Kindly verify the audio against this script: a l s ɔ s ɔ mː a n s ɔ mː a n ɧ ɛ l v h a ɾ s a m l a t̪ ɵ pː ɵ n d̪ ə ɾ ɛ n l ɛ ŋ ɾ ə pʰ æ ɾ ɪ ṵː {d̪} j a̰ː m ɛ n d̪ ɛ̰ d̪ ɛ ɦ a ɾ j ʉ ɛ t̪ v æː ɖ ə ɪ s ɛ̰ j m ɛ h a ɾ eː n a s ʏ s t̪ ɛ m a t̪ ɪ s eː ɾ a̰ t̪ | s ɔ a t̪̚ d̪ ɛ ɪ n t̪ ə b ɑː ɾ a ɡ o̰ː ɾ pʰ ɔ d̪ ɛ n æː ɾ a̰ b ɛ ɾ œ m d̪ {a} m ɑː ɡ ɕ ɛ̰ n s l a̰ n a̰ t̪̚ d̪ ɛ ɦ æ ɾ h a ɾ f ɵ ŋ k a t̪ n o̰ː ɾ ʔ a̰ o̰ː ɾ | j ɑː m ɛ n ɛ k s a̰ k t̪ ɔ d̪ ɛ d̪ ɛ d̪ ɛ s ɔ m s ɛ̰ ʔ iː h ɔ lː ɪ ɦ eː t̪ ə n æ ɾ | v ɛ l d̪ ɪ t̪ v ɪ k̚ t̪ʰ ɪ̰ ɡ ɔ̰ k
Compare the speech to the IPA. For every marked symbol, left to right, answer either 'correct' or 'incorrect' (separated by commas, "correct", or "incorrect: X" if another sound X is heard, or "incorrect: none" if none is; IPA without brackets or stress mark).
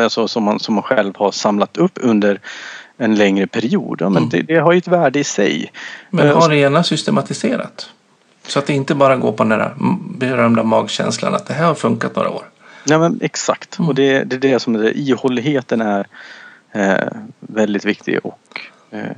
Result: correct, correct